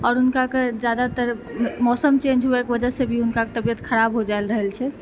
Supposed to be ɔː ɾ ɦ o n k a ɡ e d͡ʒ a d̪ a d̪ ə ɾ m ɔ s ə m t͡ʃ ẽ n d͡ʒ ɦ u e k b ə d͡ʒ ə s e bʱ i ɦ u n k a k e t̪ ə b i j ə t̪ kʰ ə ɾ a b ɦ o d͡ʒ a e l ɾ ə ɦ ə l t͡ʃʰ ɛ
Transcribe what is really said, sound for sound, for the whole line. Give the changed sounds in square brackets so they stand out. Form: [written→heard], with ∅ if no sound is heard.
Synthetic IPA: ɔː ɾ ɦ [o→u] n k a [ɡ→k] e d͡ʒ a d̪ a [d̪→t̪] ə ɾ m ɔ s ə m t͡ʃ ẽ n d͡ʒ ɦ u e k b ə d͡ʒ ə s e bʱ i ɦ u n k a k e t̪ ə b i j ə t̪ kʰ ə ɾ a b ɦ o d͡ʒ a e l ɾ ə ɦ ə l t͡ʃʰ ɛ